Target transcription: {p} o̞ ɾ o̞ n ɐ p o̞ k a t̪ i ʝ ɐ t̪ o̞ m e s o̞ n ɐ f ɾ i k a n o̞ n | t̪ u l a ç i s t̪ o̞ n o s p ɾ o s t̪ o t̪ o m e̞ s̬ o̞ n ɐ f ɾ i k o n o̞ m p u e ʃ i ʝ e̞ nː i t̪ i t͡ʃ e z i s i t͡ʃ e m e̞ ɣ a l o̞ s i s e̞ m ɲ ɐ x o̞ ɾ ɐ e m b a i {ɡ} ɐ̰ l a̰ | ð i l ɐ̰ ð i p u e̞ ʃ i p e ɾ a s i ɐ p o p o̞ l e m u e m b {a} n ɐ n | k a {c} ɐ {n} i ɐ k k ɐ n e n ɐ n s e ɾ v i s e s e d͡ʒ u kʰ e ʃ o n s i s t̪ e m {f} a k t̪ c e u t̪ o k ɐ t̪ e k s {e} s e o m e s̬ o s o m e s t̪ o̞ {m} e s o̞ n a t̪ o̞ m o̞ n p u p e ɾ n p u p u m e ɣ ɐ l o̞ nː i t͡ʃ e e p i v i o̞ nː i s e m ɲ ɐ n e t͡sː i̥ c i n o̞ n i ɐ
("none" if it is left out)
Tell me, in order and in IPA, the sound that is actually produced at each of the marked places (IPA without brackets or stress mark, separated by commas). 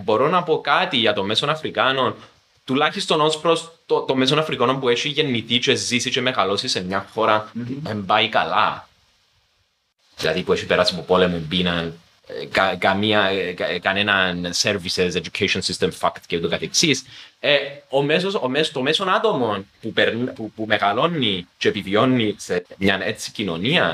b, k, i, k, m, f, i, m